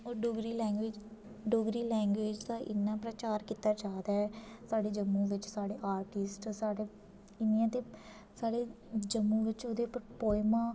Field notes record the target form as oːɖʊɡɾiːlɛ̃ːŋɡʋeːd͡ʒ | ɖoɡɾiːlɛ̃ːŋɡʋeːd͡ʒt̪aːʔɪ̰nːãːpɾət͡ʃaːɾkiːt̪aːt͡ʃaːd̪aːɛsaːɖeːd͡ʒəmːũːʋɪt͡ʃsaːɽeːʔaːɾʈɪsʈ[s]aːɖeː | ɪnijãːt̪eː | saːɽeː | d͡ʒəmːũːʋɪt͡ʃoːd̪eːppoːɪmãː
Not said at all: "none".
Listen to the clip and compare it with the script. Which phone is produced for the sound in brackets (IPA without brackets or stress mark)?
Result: s